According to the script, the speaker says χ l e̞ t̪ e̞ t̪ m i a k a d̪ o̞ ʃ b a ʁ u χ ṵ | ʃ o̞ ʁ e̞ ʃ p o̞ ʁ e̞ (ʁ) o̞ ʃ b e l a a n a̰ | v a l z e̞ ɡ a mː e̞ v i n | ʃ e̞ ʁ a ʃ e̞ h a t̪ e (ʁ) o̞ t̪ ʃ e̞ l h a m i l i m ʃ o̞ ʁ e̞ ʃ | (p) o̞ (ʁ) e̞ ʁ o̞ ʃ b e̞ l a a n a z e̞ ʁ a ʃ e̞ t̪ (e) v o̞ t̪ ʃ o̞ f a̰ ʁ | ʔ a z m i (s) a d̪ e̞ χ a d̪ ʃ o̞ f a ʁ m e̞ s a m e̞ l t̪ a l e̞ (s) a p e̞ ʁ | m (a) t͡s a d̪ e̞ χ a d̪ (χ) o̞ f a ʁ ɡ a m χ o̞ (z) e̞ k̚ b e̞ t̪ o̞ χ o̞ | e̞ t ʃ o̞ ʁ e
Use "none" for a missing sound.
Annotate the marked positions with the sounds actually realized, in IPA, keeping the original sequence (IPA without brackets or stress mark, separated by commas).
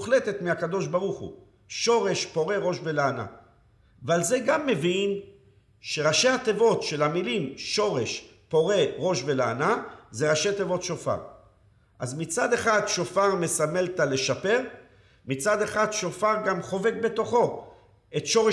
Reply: ʁ, v, p, ʁ, e, t͡s, ʃ, i, ʃ, v